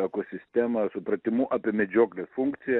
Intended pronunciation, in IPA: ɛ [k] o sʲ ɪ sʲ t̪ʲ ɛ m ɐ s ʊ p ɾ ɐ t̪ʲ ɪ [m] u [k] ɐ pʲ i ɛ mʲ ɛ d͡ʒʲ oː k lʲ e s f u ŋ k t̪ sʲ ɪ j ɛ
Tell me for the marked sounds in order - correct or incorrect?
correct, correct, incorrect: ʔ

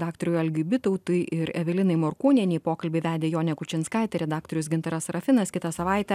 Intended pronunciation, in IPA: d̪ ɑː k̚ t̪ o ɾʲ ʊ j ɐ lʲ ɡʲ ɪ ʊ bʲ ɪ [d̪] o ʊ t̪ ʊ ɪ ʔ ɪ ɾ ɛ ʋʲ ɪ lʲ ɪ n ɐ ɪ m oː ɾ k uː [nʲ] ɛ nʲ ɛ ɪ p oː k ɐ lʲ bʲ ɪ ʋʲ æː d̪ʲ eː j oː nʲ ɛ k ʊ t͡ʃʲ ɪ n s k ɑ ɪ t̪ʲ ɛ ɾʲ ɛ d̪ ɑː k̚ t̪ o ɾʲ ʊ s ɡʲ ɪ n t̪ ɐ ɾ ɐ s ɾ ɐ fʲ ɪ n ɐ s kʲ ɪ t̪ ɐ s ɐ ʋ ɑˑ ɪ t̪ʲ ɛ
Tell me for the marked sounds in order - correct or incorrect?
incorrect: t̪, correct

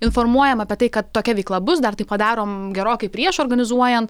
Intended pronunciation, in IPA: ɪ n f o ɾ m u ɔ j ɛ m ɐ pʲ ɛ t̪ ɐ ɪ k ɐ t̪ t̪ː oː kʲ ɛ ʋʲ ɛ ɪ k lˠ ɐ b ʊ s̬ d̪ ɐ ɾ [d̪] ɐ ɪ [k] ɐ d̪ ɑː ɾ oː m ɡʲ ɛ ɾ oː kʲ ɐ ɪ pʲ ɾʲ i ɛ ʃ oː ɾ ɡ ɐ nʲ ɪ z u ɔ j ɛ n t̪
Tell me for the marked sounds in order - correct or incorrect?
incorrect: t̪, incorrect: p

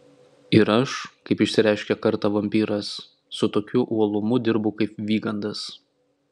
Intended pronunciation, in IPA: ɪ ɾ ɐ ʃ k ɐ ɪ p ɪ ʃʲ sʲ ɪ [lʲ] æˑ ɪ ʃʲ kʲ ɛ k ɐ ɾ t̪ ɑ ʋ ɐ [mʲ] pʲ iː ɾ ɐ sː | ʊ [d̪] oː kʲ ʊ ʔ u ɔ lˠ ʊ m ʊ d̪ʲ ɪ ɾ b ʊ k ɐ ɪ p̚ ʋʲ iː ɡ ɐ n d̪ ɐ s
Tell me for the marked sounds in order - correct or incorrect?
incorrect: ɾʲ, correct, incorrect: t̪

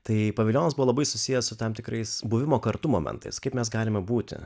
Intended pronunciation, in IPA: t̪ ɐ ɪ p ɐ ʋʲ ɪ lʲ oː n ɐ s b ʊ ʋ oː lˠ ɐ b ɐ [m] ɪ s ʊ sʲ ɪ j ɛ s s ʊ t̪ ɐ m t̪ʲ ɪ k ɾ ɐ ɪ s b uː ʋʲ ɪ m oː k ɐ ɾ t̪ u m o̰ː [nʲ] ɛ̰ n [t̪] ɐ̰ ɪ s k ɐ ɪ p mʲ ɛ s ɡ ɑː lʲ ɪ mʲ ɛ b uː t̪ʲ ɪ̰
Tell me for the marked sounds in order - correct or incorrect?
incorrect: none, incorrect: mʲ, correct

